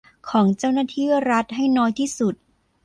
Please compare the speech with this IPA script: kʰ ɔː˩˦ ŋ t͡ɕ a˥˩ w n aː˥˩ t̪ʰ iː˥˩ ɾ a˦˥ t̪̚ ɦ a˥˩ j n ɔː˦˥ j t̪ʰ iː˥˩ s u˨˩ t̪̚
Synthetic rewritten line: kʰ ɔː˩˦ ŋ t͡ɕ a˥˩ w n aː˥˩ t̪ʰ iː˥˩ ɾ a˦˥ t̪̚ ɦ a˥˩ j n ɔː˦˥ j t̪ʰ iː˥˩ s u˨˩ t̪̚